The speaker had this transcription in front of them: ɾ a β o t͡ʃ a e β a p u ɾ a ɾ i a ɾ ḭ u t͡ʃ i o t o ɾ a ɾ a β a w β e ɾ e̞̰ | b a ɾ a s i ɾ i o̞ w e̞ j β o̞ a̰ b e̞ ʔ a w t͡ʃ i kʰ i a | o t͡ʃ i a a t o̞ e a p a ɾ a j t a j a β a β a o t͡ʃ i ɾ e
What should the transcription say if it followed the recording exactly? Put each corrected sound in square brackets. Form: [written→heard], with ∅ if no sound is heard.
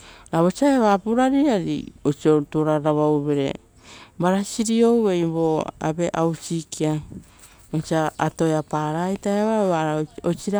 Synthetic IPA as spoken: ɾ a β o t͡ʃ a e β a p u ɾ a ɾ i a ɾ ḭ [u→o] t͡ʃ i o t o ɾ a ɾ a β a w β e ɾ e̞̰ | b a ɾ a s i ɾ i o̞ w e̞ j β o̞ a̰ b e̞ ʔ a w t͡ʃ i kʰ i a | o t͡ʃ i a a t o̞ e a p a ɾ a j t a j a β a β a o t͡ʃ i ɾ [e→a]